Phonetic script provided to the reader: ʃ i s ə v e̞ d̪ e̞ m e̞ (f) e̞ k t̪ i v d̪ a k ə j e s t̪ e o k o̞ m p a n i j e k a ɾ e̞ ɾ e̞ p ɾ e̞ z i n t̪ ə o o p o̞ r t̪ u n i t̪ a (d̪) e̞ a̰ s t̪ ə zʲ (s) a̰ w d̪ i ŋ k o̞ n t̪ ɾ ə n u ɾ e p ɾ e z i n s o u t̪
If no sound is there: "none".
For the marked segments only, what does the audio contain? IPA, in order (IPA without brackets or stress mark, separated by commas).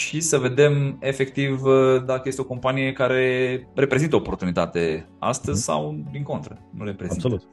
f, t̪, s